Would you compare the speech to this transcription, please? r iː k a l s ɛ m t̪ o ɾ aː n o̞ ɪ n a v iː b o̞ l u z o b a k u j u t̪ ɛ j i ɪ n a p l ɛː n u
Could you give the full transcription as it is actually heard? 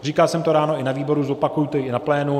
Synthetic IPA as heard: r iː k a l s ɛ m t̪ o ɾ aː n o̞ ɪ n a v iː b o̞ ɾ u z o p a k u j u t̪ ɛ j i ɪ n a p l ɛː n u